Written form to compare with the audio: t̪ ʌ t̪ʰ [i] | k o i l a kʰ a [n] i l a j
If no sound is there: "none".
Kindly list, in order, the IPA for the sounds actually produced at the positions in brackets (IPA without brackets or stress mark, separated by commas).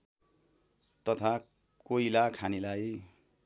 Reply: a, n